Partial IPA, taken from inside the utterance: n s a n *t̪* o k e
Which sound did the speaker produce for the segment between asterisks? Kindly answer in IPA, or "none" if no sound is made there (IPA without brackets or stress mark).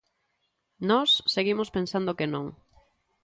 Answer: d̪